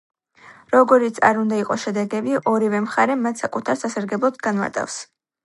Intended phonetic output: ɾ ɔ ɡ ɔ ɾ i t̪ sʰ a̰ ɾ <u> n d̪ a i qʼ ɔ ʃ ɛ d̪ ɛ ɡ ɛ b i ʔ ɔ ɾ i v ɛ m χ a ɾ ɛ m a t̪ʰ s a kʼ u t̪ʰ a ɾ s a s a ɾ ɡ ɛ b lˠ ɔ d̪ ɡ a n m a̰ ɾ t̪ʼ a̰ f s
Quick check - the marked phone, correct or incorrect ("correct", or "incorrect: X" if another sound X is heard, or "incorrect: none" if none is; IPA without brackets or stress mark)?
correct